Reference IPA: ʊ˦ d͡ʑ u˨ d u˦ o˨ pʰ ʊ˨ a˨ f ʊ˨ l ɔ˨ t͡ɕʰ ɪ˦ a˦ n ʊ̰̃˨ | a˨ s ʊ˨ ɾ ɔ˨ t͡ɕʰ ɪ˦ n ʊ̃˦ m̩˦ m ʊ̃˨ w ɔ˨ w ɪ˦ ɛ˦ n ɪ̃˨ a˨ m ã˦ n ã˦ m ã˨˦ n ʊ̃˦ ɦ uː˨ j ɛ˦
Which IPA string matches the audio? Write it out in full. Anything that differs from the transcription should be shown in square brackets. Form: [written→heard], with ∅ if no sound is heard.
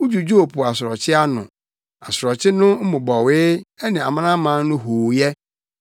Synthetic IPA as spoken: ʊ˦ d͡ʑ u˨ [d→d͡ʑ] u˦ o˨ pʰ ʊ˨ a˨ [f→s] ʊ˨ [l→ɾ] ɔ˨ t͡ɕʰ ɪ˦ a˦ n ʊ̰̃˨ | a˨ s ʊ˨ ɾ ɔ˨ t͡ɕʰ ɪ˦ n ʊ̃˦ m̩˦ m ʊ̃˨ [w→b] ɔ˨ w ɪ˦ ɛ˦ n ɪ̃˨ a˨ m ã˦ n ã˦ m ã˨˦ n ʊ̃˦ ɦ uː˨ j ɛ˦